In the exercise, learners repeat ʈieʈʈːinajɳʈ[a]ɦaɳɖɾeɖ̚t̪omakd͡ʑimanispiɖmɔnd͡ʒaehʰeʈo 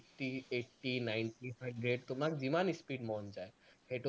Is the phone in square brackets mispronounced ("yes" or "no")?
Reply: yes